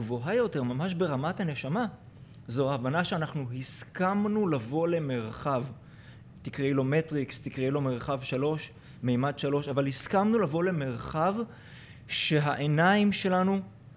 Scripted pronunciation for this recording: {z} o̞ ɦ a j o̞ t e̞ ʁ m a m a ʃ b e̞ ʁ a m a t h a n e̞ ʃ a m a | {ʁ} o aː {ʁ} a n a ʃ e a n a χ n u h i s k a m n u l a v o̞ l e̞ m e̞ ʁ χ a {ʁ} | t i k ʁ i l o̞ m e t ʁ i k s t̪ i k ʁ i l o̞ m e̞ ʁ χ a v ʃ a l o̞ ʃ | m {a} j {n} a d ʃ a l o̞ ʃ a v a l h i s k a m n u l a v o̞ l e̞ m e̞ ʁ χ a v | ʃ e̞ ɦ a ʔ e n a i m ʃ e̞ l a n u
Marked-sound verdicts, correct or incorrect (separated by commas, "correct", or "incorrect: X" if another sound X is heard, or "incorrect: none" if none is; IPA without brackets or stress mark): incorrect: v, incorrect: z, incorrect: v, incorrect: v, incorrect: e, incorrect: m